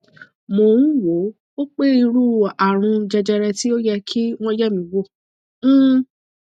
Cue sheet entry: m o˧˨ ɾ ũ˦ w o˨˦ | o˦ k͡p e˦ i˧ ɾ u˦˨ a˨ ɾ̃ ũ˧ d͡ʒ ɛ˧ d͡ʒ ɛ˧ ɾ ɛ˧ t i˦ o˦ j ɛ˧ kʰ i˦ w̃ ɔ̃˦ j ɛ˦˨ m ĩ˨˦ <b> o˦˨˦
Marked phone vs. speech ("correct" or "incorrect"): incorrect